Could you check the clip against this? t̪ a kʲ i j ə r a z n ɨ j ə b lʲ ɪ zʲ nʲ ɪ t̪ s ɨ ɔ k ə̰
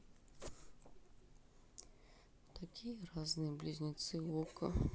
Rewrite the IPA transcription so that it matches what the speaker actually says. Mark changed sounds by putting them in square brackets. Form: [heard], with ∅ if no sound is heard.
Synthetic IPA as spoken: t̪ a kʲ i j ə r a z n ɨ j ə b lʲ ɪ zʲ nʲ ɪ t̪ s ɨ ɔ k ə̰